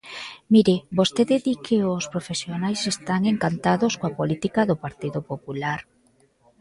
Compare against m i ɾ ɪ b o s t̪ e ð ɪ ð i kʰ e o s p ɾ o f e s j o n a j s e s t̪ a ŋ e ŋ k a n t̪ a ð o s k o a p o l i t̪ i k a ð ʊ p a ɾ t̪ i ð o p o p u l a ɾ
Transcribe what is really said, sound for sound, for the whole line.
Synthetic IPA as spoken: m i ɾ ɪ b o s t̪ e ð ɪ ð i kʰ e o s p ɾ o f e s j o n a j s e s t̪ a ŋ e ŋ k a n t̪ a ð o s k o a p o l i t̪ i k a ð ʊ p a ɾ t̪ i ð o p o p u l a ɾ